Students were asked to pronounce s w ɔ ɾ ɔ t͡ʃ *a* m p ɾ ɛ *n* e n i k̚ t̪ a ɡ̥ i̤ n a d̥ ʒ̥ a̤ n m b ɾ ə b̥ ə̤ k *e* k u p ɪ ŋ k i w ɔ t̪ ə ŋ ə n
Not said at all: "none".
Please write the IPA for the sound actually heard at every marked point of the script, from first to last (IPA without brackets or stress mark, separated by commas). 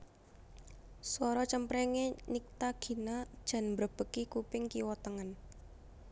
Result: ə, ŋ, i